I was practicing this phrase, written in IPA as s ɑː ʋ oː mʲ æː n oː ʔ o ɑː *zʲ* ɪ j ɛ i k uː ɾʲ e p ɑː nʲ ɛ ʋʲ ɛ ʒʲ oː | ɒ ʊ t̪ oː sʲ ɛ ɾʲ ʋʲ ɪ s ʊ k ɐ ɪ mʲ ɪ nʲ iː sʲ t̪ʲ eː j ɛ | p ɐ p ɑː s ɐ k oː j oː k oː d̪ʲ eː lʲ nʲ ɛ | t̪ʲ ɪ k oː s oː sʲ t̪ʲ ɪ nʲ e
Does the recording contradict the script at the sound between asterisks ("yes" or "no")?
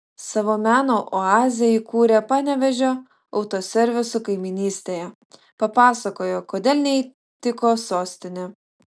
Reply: no